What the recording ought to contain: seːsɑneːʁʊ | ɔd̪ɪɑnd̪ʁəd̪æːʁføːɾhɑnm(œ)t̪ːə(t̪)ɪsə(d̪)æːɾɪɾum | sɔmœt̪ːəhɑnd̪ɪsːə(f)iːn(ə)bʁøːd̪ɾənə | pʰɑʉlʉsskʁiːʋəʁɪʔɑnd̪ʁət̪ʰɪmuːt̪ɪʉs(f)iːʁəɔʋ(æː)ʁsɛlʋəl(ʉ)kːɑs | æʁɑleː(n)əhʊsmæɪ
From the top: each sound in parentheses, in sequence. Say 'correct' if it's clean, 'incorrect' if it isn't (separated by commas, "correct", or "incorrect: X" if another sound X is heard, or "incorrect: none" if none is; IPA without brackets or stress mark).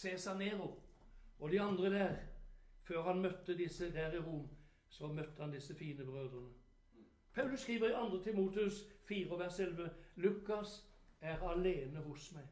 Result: correct, incorrect: d̪, correct, correct, correct, correct, incorrect: æ, correct, correct